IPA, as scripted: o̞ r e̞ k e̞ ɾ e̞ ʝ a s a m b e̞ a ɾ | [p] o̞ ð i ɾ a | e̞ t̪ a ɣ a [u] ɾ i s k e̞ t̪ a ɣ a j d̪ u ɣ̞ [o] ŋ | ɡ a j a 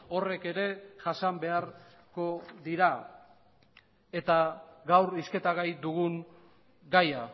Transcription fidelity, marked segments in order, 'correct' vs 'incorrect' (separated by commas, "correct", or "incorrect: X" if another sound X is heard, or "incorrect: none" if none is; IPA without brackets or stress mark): incorrect: k, incorrect: w, incorrect: u